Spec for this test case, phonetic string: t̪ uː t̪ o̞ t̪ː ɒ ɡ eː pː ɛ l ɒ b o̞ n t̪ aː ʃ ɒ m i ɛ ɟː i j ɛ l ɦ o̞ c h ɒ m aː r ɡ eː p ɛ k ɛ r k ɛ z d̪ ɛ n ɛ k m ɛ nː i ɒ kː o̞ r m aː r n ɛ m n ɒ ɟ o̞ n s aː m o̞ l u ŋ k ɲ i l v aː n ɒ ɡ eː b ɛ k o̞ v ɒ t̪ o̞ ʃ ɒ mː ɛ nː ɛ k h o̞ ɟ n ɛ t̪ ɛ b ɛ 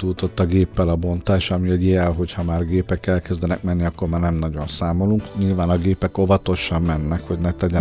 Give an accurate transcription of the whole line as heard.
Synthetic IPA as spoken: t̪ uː t̪ o̞ t̪ː ɒ ɡ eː pː ɛ l ɒ b o̞ n t̪ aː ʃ ɒ m i ɛ ɟ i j ɛ l ɦ o̞ c h ɒ m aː r ɡ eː p ɛ k ɛ l k ɛ z d̪ ɛ n ɛ k m ɛ nː i ɒ kː o̞ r m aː r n ɛ m n ɒ ɟ o̞ n s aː m o̞ l u ŋ k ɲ i l v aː n ɒ ɡ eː p ɛ k o̞ v ɒ t̪ o̞ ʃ ɒ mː ɛ nː ɛ k h o̞ ɟ n ɛ t̪ ɛ ɟ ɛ